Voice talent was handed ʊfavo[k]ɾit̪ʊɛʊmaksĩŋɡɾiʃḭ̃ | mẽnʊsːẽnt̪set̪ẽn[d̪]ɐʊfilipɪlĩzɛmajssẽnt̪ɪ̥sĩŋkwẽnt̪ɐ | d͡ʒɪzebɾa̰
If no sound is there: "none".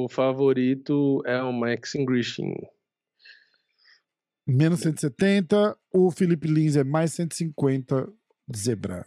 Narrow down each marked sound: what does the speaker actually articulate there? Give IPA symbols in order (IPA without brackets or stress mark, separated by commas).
none, t̪